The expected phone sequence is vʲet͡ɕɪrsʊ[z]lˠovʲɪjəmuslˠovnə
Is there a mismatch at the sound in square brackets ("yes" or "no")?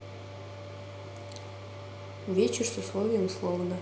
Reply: yes